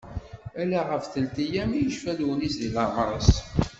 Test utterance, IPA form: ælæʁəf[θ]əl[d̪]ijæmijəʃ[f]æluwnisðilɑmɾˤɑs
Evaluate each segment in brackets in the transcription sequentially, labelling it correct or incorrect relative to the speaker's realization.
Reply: correct, incorrect: t̪, correct

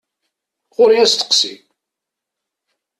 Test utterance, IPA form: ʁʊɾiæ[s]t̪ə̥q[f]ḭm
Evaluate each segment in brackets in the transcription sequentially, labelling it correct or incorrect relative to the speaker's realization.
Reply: correct, incorrect: s

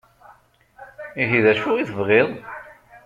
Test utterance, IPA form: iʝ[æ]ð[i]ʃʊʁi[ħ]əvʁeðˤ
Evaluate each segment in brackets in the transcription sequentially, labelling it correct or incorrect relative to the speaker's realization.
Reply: incorrect: i, incorrect: æ, incorrect: θ

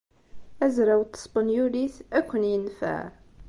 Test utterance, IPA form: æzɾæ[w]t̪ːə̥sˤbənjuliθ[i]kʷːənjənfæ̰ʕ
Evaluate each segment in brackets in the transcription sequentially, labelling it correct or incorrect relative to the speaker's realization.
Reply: correct, incorrect: æ

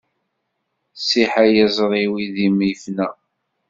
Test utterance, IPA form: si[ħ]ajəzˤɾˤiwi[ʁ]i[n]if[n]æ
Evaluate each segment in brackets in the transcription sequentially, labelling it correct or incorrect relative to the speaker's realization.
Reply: correct, incorrect: ð, incorrect: m, correct

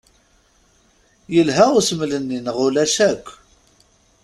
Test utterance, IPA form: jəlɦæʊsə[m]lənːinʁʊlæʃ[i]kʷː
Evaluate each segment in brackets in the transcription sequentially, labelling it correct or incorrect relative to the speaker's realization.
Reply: correct, incorrect: æ

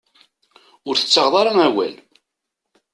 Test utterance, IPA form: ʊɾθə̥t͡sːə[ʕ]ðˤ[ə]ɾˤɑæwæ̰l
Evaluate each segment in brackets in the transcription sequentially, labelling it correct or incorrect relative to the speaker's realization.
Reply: incorrect: ʁ, incorrect: ɑ

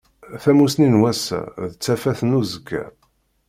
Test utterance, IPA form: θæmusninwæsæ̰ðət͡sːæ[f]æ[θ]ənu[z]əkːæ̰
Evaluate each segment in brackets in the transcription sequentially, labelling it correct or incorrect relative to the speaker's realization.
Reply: correct, correct, correct

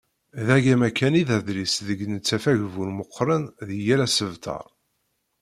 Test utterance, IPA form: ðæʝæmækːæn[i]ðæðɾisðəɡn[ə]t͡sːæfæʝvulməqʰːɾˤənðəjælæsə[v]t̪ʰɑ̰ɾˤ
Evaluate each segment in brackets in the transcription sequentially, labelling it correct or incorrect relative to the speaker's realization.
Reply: correct, correct, correct

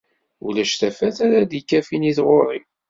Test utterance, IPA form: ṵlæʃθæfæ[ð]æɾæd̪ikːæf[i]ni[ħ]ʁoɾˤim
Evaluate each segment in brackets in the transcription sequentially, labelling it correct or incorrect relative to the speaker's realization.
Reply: incorrect: θ, correct, incorrect: θ

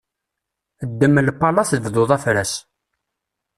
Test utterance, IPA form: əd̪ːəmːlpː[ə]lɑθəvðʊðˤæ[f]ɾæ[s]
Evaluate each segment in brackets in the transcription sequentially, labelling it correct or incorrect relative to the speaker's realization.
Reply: incorrect: ɑ, correct, correct

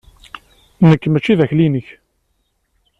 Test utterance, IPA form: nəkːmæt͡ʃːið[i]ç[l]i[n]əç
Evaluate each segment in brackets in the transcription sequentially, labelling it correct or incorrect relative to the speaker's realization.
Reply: incorrect: æ, correct, correct

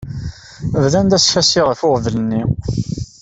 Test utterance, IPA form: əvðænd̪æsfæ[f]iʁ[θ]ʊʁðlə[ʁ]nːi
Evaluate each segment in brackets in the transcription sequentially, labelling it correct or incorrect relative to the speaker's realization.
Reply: incorrect: s, incorrect: f, incorrect: none

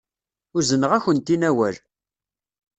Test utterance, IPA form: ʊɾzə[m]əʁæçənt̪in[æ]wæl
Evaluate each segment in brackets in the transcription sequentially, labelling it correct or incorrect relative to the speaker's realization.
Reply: incorrect: n, correct

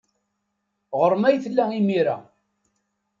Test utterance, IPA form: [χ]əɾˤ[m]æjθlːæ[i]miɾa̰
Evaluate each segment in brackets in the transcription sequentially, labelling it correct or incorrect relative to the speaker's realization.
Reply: incorrect: ʁ, correct, correct

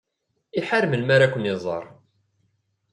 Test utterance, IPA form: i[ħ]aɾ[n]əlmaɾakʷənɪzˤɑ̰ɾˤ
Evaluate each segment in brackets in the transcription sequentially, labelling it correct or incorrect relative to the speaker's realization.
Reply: correct, incorrect: m

